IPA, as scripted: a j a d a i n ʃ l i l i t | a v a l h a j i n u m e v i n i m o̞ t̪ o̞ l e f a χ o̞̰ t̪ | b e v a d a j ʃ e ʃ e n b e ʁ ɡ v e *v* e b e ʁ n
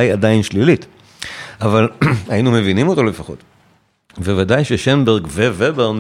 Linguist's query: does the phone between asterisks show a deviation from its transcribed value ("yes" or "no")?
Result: no